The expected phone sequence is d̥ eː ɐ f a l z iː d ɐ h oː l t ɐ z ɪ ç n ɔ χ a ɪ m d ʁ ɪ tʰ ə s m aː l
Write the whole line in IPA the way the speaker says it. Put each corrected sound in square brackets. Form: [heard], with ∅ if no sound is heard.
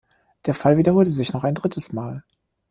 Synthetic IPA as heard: d̥ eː ɐ f a l [v] iː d ɐ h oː l t [ə] z ɪ ç n ɔ χ a ɪ [n] d ʁ ɪ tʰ ə s m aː l